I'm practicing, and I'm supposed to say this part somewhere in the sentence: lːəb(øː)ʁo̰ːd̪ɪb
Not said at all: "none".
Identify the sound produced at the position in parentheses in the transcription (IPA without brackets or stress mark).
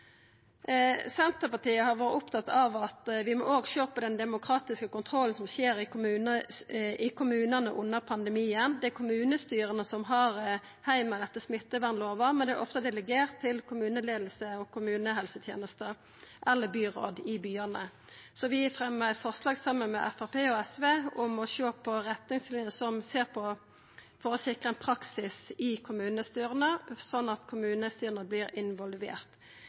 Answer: yː